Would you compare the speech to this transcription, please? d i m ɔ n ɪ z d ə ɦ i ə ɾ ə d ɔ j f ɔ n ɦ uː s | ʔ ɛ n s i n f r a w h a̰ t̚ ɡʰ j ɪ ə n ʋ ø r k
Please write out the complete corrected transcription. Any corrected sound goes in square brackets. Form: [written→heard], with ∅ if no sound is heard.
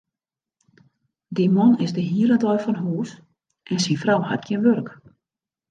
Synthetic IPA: d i m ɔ n ɪ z d ə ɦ i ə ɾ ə d ɔ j f ɔ n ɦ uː s | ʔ ɛ n s i n f r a w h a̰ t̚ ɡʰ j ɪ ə n ʋ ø r k